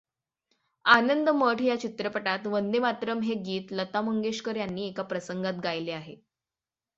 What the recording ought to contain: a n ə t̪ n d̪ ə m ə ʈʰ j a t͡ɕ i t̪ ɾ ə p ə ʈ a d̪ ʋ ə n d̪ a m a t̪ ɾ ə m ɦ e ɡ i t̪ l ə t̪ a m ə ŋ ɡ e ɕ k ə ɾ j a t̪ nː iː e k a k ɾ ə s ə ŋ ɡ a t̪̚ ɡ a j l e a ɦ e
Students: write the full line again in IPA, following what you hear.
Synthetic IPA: a n ə n d̪ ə m ə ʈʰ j a t͡ɕ i t̪ ɾ ə p ə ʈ a t̪ ʋ ə n d̪ e m a t̪ ɾ ə m ɦ e ɡ iː t̪ l ə t̪ a m ə ŋ ɡ e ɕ k ə ɾ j a nː iː e k a p ɾ ə s ə ŋ ɡ a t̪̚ ɡ a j l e a ɦ e